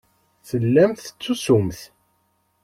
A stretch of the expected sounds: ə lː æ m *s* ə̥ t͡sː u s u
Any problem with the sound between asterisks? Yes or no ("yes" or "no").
yes